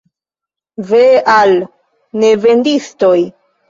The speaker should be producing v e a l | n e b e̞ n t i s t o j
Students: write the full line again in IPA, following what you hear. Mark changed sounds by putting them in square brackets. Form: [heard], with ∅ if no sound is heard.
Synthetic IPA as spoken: v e a l | n e [v] e̞ n [d] i s t o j